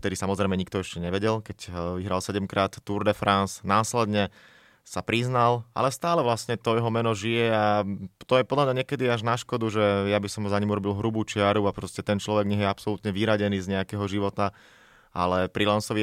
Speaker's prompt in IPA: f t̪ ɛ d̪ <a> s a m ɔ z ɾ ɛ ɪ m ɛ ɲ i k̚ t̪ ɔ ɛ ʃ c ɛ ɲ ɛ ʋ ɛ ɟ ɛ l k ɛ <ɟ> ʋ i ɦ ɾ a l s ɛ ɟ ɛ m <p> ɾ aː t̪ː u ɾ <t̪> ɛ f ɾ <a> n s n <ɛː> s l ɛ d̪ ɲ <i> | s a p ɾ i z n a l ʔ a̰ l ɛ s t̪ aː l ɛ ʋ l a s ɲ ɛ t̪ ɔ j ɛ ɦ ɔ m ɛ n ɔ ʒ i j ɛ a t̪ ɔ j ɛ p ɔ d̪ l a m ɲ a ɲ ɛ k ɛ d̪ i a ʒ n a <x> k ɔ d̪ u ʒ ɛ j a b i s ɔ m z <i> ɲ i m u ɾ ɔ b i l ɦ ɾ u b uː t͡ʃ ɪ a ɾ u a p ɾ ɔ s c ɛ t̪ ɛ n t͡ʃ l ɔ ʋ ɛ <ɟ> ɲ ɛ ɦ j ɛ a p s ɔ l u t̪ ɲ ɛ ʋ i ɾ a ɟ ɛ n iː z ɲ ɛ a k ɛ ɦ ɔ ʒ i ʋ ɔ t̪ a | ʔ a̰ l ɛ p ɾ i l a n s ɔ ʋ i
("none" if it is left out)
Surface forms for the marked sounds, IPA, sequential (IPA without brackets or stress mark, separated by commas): i, c, k, d̪, a, aː, ɛ, ʃ, a, ɡ